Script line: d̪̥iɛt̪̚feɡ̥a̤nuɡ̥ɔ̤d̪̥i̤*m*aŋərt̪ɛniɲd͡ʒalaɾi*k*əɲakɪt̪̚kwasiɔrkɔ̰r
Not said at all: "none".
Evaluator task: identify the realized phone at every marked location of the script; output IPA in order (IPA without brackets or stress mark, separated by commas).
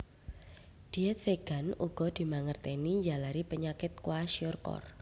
m, p